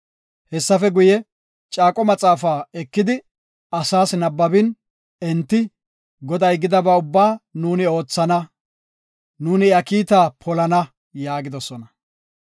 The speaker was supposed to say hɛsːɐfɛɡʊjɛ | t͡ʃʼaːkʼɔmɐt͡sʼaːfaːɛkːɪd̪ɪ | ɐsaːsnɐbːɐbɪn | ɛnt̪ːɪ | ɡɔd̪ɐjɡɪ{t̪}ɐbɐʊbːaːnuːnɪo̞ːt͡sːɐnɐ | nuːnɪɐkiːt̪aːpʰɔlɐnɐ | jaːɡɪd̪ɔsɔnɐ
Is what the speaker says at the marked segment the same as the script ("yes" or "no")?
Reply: no